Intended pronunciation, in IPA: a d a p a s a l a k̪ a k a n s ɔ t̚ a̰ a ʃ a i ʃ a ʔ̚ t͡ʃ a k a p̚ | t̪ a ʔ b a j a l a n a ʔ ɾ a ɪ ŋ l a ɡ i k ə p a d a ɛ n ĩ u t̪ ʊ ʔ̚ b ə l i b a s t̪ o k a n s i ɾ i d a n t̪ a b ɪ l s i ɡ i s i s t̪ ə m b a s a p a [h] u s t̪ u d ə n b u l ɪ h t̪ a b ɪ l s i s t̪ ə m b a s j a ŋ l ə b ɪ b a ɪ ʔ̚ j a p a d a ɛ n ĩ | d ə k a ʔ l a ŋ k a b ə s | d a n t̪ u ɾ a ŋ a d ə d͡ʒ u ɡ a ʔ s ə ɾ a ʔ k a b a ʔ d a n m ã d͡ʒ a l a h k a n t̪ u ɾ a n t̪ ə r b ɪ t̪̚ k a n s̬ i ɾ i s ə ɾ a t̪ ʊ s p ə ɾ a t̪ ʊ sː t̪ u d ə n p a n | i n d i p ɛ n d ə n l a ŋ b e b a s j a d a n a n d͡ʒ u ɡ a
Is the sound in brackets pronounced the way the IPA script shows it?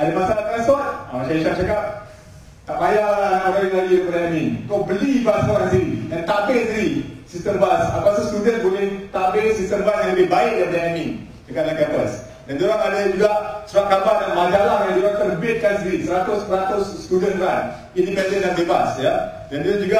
no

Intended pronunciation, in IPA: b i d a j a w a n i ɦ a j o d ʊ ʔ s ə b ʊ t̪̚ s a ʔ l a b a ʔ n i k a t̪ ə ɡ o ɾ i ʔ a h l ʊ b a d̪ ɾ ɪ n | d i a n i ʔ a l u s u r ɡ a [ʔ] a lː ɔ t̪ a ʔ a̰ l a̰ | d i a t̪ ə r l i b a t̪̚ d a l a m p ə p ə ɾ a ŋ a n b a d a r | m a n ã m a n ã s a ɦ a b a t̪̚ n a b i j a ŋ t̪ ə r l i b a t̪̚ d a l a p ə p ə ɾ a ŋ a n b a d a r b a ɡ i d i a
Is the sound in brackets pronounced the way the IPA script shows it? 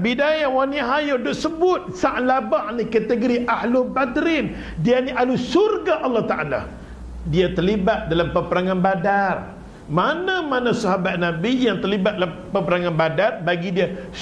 yes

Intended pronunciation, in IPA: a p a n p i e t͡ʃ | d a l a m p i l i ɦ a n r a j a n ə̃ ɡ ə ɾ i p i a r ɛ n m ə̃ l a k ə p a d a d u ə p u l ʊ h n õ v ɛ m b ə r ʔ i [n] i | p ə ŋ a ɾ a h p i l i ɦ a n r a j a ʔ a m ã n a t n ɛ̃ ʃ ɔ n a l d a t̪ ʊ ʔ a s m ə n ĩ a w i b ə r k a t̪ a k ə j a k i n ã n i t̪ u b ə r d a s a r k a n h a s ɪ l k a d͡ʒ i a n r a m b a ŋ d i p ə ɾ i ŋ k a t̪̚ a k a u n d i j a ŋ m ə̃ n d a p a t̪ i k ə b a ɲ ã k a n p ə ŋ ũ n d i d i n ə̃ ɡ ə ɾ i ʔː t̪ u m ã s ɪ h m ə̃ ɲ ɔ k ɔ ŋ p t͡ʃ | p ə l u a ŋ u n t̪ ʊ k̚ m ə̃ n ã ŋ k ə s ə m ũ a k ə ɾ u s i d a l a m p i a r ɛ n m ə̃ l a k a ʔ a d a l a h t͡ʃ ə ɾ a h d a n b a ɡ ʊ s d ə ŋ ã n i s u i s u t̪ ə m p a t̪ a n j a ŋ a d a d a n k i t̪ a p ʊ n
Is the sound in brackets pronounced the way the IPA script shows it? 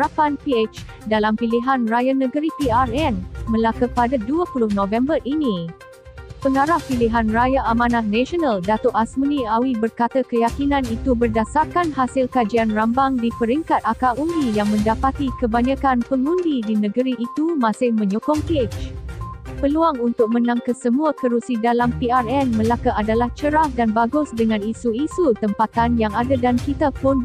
yes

